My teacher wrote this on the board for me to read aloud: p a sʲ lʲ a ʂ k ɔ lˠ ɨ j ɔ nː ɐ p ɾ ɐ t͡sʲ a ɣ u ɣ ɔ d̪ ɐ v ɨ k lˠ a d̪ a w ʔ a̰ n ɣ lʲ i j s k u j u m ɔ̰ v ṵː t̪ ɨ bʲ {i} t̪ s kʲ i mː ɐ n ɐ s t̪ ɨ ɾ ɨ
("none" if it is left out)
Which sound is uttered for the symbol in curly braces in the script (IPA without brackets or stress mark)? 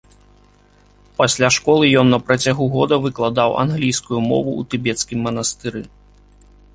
ɛ